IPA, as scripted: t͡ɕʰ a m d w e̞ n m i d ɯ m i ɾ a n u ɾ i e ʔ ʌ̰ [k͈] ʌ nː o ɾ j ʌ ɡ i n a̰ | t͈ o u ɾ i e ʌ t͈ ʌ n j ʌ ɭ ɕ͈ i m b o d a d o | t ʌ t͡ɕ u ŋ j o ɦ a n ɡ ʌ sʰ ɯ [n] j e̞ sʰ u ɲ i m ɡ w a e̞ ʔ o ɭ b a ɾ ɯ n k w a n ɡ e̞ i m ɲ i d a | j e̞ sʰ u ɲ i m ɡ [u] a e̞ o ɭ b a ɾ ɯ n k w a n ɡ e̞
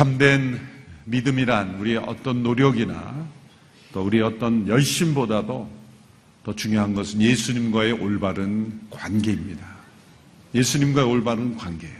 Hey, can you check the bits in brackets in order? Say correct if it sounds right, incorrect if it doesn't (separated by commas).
incorrect, correct, incorrect